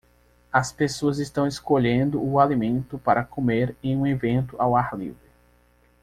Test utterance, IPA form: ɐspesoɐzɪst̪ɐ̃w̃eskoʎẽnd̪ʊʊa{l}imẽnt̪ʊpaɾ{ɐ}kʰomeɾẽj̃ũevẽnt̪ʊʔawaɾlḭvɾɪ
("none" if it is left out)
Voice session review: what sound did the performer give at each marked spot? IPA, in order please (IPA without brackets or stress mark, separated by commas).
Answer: l, ɐ